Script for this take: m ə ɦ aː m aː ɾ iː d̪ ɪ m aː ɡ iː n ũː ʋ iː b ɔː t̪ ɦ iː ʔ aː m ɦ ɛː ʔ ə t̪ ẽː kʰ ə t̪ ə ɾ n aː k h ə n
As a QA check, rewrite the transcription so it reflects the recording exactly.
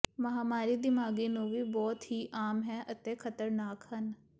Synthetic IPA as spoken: m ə ɦ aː m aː ɾ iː d̪ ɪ m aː ɡ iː n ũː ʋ iː b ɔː t̪ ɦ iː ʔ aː m ɦ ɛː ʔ ə t̪ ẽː kʰ ə t̪ ə ɾ n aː k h ə n